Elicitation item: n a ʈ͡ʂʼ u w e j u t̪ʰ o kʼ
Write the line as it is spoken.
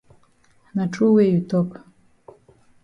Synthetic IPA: n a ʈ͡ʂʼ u w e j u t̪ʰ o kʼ